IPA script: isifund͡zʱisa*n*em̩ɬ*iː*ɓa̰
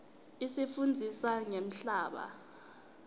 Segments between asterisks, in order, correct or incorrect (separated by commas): incorrect, incorrect